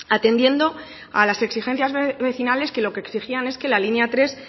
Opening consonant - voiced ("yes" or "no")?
no